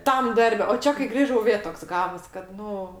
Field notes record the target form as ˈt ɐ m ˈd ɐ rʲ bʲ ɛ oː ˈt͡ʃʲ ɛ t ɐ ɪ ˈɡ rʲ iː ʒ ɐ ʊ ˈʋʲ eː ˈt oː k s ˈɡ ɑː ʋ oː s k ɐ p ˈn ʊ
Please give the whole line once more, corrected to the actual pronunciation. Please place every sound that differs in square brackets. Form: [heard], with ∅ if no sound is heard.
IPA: ˈt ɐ m ˈd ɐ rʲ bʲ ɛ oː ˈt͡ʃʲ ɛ [k] ɐ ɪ ˈɡ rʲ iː ʒ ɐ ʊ ˈʋʲ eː ˈt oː k s ˈɡ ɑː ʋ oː s k ɐ [t] ˈn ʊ

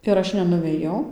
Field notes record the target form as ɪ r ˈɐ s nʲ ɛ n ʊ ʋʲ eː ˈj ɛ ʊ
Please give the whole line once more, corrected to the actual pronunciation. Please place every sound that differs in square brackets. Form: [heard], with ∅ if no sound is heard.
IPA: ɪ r ˈɐ [ʃ] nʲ ɛ n ʊ ʋʲ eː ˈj ɛ ʊ

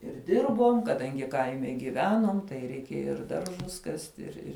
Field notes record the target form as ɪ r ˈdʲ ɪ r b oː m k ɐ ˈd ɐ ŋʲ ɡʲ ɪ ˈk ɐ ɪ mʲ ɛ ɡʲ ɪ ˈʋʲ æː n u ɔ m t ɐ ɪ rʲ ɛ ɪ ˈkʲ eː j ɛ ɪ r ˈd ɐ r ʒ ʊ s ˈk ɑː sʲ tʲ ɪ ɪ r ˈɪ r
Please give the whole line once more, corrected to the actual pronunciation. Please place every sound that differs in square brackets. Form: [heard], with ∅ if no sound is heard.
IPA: ɪ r ˈdʲ ɪ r b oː m k ɐ ˈd ɐ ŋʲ ɡʲ ɪ ˈk ɐ ɪ mʲ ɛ ɡʲ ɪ ˈʋʲ æː n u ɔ m t ɐ ɪ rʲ ɛ ɪ ˈkʲ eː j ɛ ɪ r ˈd ɐ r ʒ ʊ s ˈk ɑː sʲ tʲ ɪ ɪ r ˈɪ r

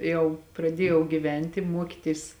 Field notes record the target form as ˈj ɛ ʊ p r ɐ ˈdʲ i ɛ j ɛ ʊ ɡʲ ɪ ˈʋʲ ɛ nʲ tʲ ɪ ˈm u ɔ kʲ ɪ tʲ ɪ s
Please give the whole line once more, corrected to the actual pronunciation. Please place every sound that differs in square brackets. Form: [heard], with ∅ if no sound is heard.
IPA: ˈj ɛ ʊ p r ɐ ˈdʲ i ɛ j ɛ ʊ ɡʲ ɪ ˈʋʲ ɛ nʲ tʲ ɪ ˈm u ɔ kʲ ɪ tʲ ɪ s

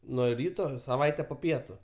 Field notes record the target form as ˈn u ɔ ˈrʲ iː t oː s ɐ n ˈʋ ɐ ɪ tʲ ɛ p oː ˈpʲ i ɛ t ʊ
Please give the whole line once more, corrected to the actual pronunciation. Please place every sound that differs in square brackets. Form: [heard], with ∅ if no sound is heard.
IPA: ˈn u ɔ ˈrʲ iː t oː s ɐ [∅] ˈʋ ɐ ɪ tʲ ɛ p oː ˈpʲ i ɛ t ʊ

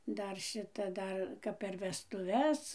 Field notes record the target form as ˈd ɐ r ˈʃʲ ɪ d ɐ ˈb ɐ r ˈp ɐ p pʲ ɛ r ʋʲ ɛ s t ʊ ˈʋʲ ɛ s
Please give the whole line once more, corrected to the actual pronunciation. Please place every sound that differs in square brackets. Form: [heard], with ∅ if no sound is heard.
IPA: ˈd ɐ r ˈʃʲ ɪ [t] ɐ [ˈd] ɐ r [ˈk] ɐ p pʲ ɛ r ʋʲ ɛ s t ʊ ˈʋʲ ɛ s

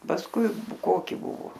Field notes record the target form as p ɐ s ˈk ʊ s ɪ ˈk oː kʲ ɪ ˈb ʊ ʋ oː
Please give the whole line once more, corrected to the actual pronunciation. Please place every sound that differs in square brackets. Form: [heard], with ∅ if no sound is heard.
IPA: p ɐ s ˈk ʊ [∅] ɪ ˈk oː kʲ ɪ ˈb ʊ ʋ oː

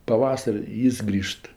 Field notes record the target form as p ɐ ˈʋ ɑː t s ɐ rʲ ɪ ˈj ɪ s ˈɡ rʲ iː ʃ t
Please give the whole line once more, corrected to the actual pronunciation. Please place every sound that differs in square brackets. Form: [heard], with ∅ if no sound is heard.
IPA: p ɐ ˈʋ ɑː [∅] s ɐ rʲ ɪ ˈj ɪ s ˈɡ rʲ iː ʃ t

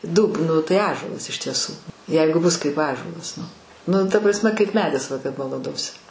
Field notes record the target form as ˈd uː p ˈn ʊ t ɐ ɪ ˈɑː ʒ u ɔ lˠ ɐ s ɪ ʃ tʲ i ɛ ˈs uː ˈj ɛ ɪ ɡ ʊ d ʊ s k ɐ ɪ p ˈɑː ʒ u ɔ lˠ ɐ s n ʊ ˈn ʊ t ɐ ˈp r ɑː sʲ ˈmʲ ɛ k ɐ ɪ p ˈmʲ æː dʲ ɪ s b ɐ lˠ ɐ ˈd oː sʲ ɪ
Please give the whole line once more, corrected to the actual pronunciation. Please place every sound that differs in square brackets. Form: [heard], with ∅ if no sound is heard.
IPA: ˈd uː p ˈn ʊ t ɐ ɪ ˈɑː ʒ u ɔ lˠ ɐ s ɪ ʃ tʲ i ɛ ˈs uː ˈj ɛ ɪ ɡ ʊ [b] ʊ s k ɐ ɪ p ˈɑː ʒ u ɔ lˠ ɐ s n ʊ ˈn ʊ t ɐ ˈp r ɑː sʲ ˈmʲ ɛ k ɐ ɪ p ˈmʲ æː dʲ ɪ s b ɐ lˠ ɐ ˈd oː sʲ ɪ

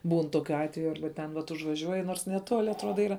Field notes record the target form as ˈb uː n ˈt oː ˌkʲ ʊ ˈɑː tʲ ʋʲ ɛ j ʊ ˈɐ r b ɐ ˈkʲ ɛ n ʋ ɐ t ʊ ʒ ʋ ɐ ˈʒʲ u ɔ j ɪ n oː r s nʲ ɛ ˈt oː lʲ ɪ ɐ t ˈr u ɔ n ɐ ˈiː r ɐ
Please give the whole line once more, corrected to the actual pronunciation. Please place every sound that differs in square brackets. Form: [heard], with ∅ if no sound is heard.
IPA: ˈb uː n ˈt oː ˌkʲ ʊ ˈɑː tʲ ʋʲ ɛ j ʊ ˈɐ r b ɐ [ˈtʲ] ɛ n ʋ ɐ t ʊ ʒ ʋ ɐ ˈʒʲ u ɔ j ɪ n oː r s nʲ ɛ ˈt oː lʲ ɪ ɐ t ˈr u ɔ [d] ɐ ˈiː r ɐ

